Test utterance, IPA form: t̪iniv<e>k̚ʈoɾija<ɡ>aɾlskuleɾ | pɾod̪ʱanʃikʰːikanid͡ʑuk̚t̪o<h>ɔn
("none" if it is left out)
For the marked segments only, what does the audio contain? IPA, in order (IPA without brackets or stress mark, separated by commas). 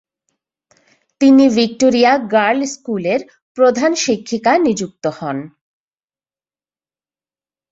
i, ɡ, h